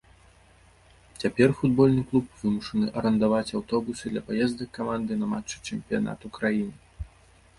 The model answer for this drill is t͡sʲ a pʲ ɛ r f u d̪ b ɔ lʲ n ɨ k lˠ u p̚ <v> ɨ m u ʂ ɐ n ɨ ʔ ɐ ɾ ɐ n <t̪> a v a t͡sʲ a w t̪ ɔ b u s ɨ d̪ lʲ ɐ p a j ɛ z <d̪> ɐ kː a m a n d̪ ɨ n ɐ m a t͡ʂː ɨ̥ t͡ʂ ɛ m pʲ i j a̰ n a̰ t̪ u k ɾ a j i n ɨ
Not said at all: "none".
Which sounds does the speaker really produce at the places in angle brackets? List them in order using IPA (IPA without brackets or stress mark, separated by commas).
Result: v, d̪, d̪